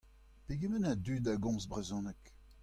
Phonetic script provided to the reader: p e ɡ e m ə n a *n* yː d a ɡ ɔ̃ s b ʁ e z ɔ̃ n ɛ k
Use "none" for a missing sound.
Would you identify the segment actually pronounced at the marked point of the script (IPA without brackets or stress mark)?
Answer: d